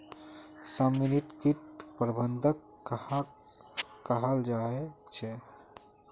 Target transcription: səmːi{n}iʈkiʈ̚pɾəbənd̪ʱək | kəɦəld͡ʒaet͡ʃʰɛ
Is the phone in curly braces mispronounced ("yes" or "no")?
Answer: no